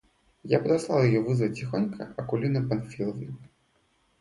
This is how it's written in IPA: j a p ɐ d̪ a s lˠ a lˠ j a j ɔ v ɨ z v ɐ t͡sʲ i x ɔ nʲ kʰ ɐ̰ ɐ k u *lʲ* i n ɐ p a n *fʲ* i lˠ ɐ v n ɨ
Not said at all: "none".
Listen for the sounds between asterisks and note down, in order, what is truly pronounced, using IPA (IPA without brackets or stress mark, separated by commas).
lʲ, fʲ